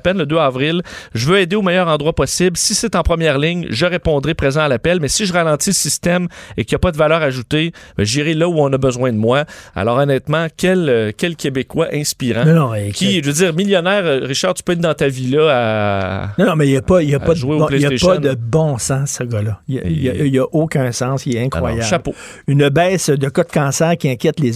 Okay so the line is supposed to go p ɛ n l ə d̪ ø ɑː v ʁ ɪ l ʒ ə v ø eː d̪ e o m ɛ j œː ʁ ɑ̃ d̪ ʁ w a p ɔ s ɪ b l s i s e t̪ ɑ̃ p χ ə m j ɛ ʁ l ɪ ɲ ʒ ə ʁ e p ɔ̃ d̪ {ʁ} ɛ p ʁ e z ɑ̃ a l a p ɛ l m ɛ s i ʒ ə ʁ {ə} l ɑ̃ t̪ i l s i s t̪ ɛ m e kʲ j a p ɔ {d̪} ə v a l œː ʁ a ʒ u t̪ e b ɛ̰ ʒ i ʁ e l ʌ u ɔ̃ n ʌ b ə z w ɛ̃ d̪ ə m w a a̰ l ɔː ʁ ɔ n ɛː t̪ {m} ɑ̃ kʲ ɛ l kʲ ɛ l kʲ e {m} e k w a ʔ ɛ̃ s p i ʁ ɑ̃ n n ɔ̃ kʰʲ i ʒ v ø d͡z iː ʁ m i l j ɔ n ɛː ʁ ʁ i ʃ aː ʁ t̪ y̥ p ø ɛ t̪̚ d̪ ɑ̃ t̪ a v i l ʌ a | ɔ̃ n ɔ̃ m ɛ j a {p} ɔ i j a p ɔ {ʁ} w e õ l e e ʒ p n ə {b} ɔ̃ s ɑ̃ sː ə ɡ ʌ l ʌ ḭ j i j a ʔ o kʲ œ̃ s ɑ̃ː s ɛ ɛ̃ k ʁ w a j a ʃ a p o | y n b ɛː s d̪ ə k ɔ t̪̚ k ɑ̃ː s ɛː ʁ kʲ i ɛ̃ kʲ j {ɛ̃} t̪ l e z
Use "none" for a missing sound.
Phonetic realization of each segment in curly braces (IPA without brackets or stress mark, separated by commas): ʁ, a, d̪, m, b, p, ʒ, b, ɛ